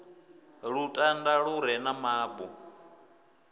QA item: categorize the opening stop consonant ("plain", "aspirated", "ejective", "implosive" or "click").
ejective